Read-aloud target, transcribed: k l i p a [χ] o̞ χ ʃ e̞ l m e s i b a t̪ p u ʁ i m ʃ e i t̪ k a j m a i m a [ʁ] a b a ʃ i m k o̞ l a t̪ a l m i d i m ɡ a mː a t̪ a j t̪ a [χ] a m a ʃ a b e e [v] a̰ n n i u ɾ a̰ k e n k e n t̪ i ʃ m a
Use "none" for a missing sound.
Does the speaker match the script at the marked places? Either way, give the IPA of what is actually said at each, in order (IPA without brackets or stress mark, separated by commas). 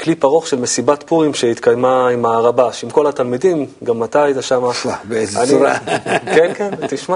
ʁ, ʁ, ʃ, z